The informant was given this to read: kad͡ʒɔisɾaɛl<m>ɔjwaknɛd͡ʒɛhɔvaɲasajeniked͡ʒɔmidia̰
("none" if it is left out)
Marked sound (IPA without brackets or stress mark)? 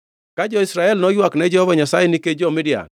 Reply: n